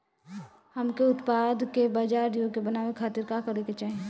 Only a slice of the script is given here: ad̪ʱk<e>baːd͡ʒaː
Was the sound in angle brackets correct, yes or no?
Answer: yes